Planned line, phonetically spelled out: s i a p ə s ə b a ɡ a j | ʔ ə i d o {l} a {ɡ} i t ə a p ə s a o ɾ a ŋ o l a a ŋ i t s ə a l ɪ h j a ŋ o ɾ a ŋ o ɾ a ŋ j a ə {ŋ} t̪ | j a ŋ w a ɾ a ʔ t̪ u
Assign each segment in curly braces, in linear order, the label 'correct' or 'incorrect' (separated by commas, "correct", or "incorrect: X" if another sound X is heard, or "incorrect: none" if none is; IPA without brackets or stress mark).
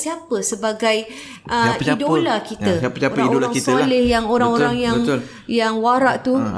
correct, incorrect: k, correct